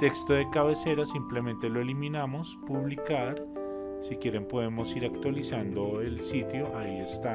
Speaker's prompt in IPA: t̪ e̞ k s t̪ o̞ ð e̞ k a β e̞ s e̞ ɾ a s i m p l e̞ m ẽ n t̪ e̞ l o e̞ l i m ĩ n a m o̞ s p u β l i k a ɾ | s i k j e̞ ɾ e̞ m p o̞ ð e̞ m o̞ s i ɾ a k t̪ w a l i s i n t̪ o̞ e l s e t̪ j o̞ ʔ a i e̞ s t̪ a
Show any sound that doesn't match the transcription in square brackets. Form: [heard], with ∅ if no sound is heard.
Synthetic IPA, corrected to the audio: t̪ e̞ k s t̪ o̞ ð e̞ k a β e̞ s e̞ ɾ a s i m p l e̞ m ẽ n t̪ e̞ l o e̞ l i m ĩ n a m o̞ s p u β l i k a ɾ | s i k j e̞ ɾ e̞ m p o̞ ð e̞ m o̞ s i ɾ a k t̪ w a l i s [a] n [d̪] o̞ e l s [i] t̪ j o̞ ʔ a i e̞ s t̪ a

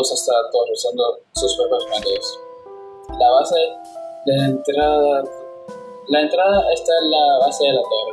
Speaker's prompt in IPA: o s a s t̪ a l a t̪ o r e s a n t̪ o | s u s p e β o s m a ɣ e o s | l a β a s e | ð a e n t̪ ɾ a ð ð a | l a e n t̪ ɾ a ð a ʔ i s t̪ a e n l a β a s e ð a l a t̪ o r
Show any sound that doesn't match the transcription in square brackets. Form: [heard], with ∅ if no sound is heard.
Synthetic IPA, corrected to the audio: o s a s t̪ a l a t̪ o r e s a n [d̪] o | s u s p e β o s m a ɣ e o s | l a β a s e | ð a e n t̪ ɾ a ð ð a | l a e n t̪ ɾ a ð a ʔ [e] s t̪ a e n l a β a s e ð [e] l a t̪ o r

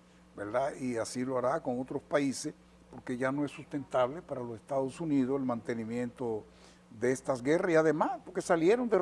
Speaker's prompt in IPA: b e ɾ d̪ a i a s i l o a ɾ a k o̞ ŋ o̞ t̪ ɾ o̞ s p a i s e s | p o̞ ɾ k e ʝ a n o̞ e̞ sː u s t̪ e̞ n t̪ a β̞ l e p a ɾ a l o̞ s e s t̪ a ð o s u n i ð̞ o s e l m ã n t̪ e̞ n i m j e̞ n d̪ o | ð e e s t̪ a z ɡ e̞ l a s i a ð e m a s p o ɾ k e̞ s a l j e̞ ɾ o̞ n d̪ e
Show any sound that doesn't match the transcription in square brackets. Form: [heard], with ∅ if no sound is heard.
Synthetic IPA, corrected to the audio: b e ɾ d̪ a i a s i l o a ɾ a k o̞ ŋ o̞ t̪ ɾ o̞ s p a i s e s | p o̞ ɾ k e ʝ a n o̞ e̞ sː u s t̪ e̞ n t̪ a β̞ l e p a ɾ a l o̞ s e s t̪ a ð o s u n i ð̞ o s e l m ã n t̪ e̞ n i m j e̞ n [t̪] o | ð e e s t̪ a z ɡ e̞ [r] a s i a ð e m a s p o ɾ k e̞ s a l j e̞ ɾ o̞ n d̪ e

